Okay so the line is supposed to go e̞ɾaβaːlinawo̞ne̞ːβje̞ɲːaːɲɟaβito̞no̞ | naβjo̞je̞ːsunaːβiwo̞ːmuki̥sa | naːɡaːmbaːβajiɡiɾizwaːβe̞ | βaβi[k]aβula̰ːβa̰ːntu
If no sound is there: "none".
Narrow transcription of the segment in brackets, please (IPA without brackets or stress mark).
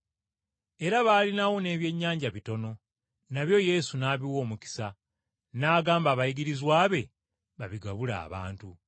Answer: ɡ